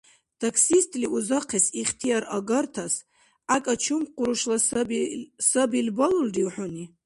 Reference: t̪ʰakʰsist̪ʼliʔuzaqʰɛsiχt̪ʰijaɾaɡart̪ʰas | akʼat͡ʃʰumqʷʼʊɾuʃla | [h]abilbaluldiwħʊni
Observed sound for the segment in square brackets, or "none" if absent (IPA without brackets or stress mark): s